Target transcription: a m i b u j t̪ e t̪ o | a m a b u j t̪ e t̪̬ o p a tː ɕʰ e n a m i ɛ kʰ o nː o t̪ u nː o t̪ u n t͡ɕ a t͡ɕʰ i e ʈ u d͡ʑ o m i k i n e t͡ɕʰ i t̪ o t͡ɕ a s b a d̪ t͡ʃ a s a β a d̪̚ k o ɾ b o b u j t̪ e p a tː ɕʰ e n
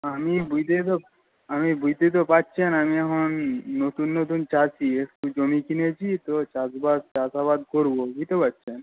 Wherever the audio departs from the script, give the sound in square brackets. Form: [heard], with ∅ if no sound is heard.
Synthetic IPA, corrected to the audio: a m i b u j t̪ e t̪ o | a m [i] b u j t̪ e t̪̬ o p a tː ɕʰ e n a m i ɛ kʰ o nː o t̪ u nː o t̪ u n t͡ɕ a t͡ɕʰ i e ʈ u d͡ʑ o m i k i n e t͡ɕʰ i t̪ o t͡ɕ a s b a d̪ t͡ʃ a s a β a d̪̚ k o ɾ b o b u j t̪ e p a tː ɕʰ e n